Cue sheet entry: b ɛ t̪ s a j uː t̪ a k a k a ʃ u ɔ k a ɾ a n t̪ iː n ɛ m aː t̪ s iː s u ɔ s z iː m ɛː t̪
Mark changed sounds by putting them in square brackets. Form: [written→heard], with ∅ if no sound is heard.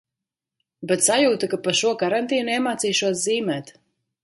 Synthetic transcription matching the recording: b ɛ t̪ s a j uː t̪ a k a [k→p] a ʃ u ɔ k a ɾ a n t̪ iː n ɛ m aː t̪ s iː [s→ʃ] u ɔ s z iː m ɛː t̪